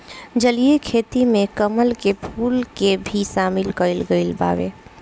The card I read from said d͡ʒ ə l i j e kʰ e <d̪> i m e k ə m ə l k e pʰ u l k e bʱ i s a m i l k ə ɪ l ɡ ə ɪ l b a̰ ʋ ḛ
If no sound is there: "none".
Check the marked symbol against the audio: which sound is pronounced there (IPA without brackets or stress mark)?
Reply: t̪